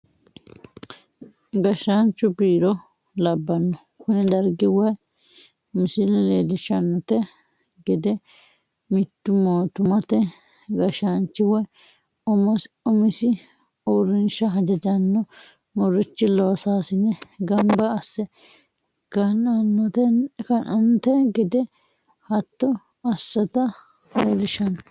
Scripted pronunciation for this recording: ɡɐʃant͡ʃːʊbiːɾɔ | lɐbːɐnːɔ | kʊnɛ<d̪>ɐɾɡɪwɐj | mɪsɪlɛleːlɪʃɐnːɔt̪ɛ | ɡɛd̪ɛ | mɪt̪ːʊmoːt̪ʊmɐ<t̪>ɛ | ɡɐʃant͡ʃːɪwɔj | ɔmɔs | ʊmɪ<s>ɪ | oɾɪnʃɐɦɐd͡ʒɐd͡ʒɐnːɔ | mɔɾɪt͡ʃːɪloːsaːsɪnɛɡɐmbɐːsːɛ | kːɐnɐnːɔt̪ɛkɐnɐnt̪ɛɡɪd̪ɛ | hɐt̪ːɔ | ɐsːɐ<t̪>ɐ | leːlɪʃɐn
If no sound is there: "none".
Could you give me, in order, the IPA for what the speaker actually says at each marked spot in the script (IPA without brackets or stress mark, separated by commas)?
d̪, t̪, s, t̪